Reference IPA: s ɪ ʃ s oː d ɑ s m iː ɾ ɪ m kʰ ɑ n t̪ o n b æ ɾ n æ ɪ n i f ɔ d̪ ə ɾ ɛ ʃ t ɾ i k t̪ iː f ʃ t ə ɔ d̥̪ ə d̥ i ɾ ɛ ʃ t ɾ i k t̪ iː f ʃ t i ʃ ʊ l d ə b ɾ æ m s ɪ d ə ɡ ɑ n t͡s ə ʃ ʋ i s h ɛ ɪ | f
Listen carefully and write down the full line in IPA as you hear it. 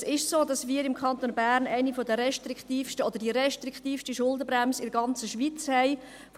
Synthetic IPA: s ɪ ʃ s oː d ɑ s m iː ɾ ɪ m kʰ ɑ n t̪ o n b æ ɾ n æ ɪ n i f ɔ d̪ ə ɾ ɛ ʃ t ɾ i k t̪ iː f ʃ t ə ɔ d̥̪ ə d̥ i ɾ ɛ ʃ t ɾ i k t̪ iː f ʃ t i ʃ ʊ l d ə b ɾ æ m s ɪ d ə ɡ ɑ n t͡s ə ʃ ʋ i t͡s h ɛ ɪ | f